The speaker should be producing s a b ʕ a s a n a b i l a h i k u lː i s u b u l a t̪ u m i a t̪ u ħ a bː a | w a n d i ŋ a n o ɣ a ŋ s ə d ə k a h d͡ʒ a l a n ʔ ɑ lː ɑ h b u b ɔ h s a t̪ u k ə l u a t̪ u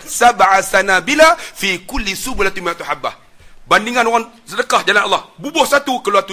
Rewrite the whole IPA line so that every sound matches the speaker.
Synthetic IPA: s a b ʕ a s a n a b i l a f i k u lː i s u b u l a t̪ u m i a t̪ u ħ a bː a | b a n d i ŋ a n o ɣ a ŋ s ə d ə k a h d͡ʒ a l a n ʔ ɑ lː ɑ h b u b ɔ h s a t̪ u k ə l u a t̪ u